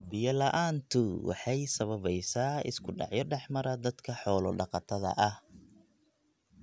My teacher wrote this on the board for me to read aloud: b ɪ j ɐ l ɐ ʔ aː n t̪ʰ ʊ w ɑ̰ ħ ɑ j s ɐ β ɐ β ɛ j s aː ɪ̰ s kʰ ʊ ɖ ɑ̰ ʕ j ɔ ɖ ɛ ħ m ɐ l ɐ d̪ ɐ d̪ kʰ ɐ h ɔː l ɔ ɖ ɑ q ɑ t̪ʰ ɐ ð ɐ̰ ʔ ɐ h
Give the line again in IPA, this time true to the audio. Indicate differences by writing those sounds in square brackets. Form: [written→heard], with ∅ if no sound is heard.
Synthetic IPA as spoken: b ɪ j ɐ l ɐ ʔ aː n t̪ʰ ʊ w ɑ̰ ħ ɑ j s ɐ β ɐ β ɛ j s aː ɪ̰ s kʰ ʊ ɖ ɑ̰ ʕ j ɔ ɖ ɛ ħ m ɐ [l→ɾ] ɐ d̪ ɐ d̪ kʰ ɐ [h→ħ] ɔː l ɔ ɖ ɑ q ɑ t̪ʰ ɐ ð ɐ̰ ʔ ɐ h

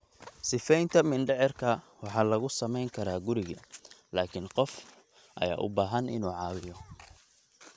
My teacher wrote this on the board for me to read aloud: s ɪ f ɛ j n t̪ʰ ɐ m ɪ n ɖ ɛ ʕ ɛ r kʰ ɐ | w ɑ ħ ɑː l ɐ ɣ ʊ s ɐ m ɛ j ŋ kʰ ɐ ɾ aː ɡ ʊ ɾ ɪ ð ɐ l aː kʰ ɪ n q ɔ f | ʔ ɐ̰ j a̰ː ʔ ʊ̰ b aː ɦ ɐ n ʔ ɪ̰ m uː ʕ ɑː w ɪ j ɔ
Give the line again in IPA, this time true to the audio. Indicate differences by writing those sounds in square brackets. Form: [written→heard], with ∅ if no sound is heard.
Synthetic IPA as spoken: s ɪ f ɛ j n t̪ʰ ɐ m ɪ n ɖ ɛ ʕ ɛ r kʰ ɐ | w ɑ ħ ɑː l ɐ ɣ ʊ s ɐ m ɛ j ŋ kʰ ɐ ɾ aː ɡ ʊ ɾ ɪ [ð→ɣ] ɐ l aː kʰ ɪ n q ɔ f | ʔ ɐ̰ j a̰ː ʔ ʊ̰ b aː ɦ ɐ n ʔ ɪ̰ [m→n] uː ʕ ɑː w ɪ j ɔ

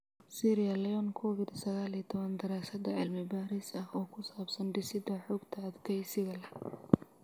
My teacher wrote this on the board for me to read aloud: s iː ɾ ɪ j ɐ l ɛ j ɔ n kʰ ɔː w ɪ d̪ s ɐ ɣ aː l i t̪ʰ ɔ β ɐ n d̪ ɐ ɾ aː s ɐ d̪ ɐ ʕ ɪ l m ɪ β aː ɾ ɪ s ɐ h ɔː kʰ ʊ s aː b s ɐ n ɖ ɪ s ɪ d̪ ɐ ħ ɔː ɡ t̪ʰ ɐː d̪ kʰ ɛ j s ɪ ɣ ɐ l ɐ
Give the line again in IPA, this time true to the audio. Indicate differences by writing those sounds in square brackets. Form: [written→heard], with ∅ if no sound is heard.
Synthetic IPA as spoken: s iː ɾ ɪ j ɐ l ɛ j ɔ n kʰ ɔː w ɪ d̪ s ɐ ɣ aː l i t̪ʰ ɔ β ɐ n d̪ ɐ ɾ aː s ɐ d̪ ɐ ʕ ɪ l m ɪ [β→b] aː ɾ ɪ s ɐ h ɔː kʰ ʊ s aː b s ɐ n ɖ ɪ s ɪ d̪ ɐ ħ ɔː ɡ t̪ʰ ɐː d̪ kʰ ɛ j s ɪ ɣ ɐ l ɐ

